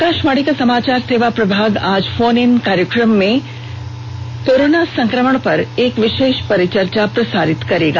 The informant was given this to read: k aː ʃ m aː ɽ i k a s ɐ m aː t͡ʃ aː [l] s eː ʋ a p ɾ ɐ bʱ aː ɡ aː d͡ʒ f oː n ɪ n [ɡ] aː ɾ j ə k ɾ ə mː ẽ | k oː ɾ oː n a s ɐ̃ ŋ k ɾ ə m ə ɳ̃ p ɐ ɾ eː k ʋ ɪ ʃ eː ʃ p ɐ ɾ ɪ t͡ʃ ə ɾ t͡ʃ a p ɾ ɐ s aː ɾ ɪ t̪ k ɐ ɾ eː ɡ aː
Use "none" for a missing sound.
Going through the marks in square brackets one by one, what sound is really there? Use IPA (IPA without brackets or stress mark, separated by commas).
ɾ, k